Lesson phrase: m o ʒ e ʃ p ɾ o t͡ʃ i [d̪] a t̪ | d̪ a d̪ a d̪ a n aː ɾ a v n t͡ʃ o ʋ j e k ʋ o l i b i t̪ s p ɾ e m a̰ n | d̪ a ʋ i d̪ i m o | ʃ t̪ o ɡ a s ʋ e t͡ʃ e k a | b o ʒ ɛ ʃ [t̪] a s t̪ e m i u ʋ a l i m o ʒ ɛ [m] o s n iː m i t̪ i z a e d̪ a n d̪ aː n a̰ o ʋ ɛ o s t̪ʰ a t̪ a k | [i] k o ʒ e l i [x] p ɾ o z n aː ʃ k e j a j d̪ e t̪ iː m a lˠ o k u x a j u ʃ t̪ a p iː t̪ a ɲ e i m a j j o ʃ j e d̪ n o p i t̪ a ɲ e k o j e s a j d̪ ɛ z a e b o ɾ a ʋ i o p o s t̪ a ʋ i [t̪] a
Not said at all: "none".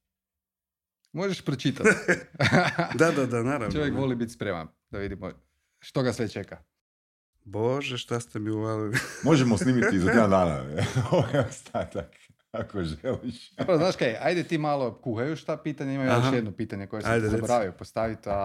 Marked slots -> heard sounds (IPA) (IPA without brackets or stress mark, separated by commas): t̪, t̪, m, a, ʃ, t̪